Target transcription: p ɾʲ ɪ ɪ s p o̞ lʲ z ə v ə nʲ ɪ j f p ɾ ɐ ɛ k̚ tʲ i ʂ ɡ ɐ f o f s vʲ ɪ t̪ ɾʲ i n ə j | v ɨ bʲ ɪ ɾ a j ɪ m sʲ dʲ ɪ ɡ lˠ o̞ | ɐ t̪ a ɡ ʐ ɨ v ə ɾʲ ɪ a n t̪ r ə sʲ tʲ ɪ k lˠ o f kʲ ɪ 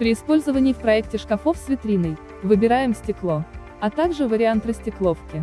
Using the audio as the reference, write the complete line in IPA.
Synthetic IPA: p ɾʲ ɪ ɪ s p o̞ lʲ z ə v ə nʲ ɪ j f p ɾ ɐ ɛ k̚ tʲ ɪ ʂ k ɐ f o f s vʲ ɪ t̪ ɾʲ i n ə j | v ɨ bʲ ɪ ɾ a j ɪ m sʲ tʲ ɪ k lˠ o̞ | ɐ t̪ a ɡ ʐ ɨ v ə ɾʲ ɪ a n t̪ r ə sʲ tʲ ɪ k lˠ o f kʲ ɪ